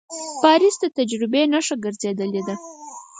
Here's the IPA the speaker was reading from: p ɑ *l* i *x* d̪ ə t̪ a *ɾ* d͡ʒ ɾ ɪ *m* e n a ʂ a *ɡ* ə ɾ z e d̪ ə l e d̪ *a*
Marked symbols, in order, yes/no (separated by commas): no, no, no, no, yes, yes